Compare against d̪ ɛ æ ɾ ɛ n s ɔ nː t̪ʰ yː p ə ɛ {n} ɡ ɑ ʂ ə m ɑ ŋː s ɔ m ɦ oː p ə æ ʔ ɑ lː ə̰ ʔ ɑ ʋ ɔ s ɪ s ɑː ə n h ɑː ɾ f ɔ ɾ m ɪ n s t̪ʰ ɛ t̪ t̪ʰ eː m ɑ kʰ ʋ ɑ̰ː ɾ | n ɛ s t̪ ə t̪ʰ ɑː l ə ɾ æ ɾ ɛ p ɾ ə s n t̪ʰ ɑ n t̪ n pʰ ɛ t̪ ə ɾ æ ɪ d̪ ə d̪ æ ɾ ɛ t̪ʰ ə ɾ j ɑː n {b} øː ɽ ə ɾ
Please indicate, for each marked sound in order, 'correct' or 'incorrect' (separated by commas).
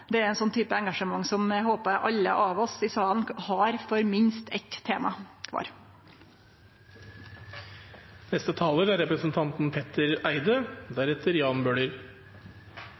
incorrect, correct